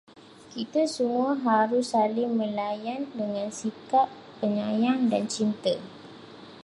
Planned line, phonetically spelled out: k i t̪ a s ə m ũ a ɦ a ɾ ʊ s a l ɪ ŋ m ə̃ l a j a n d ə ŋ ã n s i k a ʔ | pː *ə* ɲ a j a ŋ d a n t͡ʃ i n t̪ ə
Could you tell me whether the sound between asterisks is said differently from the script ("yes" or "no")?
no